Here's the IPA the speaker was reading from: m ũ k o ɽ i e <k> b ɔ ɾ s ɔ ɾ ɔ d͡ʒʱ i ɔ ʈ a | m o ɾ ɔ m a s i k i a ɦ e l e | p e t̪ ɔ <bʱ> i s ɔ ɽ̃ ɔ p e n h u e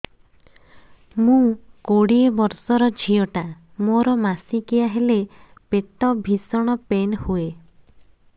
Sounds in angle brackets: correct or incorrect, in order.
incorrect, correct

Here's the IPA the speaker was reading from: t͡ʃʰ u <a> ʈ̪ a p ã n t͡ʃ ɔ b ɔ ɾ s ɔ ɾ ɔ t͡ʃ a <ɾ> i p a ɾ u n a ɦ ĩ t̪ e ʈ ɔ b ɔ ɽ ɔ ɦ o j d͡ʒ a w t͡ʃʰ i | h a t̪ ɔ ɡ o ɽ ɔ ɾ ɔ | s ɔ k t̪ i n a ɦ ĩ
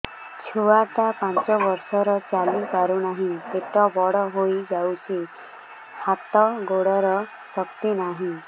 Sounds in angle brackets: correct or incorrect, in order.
correct, incorrect

